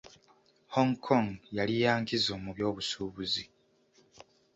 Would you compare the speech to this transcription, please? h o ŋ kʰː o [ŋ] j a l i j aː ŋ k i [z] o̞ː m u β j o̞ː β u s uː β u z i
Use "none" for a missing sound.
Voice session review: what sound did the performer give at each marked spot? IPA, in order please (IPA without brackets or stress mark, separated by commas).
ŋ, z